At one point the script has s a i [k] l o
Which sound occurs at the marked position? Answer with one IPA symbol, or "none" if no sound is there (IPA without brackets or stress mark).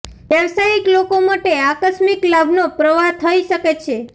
k